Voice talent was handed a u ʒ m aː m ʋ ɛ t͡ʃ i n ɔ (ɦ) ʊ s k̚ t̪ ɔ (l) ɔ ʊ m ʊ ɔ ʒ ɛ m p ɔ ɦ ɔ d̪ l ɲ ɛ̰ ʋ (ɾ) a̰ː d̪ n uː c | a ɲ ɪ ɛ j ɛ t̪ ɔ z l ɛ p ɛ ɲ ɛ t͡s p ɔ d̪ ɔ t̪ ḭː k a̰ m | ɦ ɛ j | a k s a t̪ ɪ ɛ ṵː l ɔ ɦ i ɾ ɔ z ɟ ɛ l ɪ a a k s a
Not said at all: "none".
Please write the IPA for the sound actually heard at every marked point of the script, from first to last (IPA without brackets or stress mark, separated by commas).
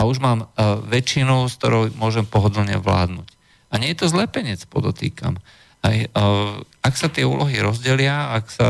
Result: none, ɾ, l